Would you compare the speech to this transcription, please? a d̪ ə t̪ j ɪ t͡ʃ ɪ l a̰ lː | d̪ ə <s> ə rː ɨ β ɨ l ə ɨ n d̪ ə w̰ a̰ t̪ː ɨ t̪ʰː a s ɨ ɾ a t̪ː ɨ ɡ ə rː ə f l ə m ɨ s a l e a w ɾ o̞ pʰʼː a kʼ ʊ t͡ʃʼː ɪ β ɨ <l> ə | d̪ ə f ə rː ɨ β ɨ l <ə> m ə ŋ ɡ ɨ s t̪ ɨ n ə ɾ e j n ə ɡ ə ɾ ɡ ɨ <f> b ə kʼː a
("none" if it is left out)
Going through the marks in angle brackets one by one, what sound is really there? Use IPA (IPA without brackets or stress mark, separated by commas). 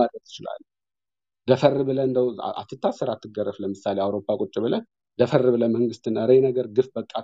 f, l, ə, f